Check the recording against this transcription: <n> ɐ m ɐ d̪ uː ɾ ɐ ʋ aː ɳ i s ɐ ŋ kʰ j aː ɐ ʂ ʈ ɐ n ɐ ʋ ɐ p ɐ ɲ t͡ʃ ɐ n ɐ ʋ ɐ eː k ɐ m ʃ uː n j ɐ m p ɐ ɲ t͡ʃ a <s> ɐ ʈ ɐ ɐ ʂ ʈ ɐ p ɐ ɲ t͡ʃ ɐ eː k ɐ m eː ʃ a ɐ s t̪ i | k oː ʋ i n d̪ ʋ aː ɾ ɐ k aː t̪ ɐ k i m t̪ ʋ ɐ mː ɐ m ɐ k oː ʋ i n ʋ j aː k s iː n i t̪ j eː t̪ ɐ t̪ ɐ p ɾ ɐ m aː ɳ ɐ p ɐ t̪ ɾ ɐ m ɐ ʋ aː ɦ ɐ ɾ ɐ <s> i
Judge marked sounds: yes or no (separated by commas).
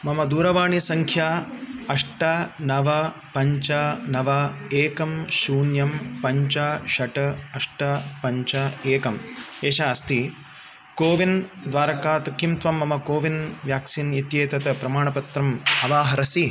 no, no, yes